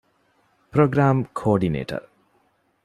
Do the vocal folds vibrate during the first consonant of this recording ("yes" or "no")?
no